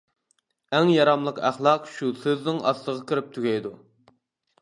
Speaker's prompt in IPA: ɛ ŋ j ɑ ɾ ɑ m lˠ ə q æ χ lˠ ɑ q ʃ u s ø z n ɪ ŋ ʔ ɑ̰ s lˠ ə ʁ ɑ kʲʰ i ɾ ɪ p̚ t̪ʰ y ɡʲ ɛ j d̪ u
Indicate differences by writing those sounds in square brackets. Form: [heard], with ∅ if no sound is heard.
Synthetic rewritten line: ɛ ŋ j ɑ ɾ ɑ m lˠ ə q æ χ lˠ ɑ q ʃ u s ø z n ɪ ŋ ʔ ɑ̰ s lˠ ə ʁ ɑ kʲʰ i ɾ ɪ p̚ t̪ʰ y ɡʲ ɛ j d̪ u

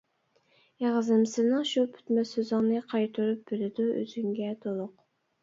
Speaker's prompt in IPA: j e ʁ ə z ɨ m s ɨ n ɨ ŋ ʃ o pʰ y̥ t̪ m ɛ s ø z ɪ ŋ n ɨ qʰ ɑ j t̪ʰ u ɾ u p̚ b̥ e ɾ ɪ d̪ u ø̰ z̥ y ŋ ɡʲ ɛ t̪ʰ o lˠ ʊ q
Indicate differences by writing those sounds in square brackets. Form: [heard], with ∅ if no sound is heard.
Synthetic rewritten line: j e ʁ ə z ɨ m s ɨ n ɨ ŋ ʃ [u] pʰ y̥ t̪ m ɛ s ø z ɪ ŋ n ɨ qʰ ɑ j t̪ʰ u ɾ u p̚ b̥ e [l] ɪ d̪ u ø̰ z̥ y ŋ ɡʲ ɛ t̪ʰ o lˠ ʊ q

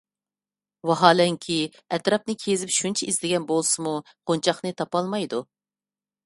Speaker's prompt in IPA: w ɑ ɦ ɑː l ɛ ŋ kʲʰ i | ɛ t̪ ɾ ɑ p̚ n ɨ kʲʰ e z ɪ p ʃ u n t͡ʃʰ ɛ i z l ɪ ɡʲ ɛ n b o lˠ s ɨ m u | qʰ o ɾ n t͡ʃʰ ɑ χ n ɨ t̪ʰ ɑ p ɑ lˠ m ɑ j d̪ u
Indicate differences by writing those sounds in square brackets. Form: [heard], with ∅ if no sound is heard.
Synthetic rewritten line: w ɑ ɦ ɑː l ɛ ŋ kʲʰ i | ɛ t̪ ɾ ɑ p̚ n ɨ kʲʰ e z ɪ p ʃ u n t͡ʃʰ ɛ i z l ɪ ɡʲ ɛ n b o lˠ s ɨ m u | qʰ o [∅] n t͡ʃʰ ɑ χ n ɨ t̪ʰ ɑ p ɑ lˠ m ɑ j d̪ u

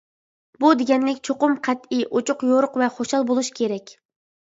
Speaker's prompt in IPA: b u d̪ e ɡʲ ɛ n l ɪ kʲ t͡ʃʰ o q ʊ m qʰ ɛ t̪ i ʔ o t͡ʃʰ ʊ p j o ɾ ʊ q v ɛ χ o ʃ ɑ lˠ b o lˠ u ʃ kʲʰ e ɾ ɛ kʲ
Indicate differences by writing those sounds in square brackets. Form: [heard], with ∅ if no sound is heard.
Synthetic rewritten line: b u d̪ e ɡʲ ɛ n l ɪ kʲ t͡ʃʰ o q ʊ m qʰ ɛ t̪ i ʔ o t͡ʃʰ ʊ [q] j o ɾ ʊ q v ɛ χ o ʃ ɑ lˠ b o lˠ u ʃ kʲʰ e ɾ ɛ kʲ

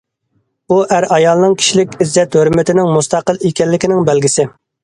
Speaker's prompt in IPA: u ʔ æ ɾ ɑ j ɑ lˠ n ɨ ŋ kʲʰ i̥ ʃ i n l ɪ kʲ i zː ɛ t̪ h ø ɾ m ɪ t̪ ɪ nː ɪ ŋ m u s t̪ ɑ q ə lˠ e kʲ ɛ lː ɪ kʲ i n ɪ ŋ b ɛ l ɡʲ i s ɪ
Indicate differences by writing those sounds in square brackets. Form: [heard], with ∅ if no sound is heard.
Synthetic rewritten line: u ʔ æ ɾ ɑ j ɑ lˠ n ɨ ŋ kʲʰ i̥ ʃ i [∅] l ɪ kʲ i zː ɛ t̪ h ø ɾ m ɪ t̪ ɪ [n] ɪ ŋ m u s t̪ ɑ q ə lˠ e kʲ ɛ lː ɪ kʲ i n ɪ ŋ b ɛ l ɡʲ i s ɪ

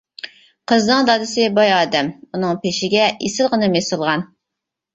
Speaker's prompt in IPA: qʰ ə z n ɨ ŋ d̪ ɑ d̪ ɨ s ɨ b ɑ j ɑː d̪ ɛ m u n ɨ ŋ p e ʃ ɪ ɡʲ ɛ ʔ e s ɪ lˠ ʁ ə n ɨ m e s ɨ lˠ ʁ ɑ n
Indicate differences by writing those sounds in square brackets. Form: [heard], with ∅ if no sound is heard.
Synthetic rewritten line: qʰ ə z n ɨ ŋ d̪ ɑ d̪ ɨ s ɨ b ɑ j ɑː d̪ ɛ m u n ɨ ŋ p e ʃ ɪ ɡʲ ɛ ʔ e s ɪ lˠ ʁ ə n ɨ m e s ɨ lˠ ʁ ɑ n

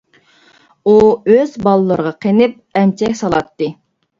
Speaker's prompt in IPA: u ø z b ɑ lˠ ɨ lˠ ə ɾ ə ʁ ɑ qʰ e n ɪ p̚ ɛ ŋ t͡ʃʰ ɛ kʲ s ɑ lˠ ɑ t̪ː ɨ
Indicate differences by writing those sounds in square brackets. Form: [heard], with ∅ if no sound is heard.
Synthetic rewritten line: u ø z b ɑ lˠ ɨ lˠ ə ɾ ə ʁ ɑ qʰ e n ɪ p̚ ɛ [m] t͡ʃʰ ɛ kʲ s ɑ lˠ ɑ t̪ː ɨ

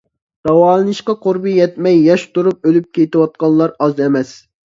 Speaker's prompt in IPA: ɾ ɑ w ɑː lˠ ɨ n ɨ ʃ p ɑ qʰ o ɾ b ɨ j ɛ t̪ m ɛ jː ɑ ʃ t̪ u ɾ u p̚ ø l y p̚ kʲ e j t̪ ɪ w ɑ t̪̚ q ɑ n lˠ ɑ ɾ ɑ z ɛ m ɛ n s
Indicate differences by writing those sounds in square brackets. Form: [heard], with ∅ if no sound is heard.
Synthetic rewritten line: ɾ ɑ w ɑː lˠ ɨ n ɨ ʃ [q] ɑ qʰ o ɾ b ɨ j ɛ t̪ m ɛ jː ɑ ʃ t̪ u ɾ u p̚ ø l y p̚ kʲ e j t̪ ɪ w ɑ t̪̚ q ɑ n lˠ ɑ ɾ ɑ z ɛ m ɛ [∅] s

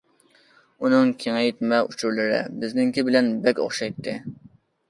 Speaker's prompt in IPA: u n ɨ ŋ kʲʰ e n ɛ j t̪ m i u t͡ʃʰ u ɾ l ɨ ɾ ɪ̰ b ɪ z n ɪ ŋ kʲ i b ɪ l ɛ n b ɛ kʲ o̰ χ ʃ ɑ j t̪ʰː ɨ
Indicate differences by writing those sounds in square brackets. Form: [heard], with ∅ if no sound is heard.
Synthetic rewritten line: u n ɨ ŋ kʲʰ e [ŋ] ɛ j t̪ m [ɛ] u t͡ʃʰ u ɾ l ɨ ɾ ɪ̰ b ɪ z n ɪ ŋ kʲ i b ɪ l ɛ n b ɛ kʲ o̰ χ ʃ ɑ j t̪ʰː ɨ

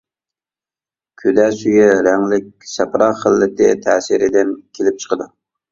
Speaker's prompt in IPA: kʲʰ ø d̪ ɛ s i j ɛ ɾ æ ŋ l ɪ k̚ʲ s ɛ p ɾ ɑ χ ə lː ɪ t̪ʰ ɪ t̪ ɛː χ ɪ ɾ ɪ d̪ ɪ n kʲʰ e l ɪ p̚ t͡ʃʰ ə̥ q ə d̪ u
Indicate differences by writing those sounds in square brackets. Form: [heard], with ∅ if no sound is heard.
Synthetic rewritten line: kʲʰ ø d̪ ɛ s [y] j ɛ ɾ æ ŋ l ɪ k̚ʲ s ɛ p ɾ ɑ χ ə lː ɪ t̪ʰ ɪ [t̪ʰ] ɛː [s] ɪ ɾ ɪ d̪ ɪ n kʲʰ e l ɪ p̚ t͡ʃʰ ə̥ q ə d̪ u

